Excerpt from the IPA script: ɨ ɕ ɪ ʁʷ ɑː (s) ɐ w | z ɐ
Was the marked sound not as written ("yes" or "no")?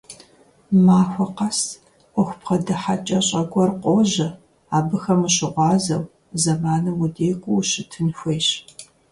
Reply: yes